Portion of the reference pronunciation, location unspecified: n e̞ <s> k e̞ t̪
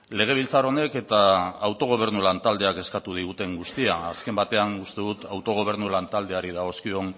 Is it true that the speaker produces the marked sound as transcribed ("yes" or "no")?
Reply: no